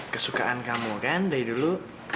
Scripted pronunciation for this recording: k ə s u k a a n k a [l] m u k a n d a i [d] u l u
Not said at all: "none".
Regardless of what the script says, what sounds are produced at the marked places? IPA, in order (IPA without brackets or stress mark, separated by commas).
none, d